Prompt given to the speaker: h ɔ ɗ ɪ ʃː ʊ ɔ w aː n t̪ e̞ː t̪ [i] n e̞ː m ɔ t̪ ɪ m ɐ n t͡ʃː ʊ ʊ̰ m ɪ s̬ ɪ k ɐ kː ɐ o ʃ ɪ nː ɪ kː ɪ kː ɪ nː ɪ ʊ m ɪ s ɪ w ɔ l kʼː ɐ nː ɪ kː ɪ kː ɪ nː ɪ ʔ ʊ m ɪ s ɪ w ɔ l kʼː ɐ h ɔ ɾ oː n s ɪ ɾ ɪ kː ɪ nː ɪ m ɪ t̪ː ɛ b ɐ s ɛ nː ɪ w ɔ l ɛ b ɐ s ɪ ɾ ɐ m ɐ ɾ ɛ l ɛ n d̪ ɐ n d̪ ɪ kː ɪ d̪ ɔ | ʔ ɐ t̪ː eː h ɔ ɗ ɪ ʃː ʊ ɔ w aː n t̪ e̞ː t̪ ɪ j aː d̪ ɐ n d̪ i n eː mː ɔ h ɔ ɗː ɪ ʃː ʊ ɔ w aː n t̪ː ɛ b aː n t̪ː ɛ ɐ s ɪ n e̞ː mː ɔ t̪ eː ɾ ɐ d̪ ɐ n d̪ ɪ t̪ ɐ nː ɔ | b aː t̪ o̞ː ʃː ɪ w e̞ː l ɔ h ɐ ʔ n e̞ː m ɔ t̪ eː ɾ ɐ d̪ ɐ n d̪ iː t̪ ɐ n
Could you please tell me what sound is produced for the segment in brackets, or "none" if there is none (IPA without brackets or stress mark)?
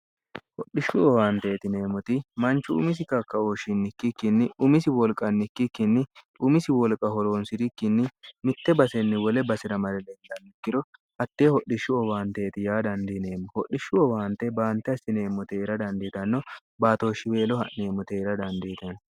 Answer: ɪ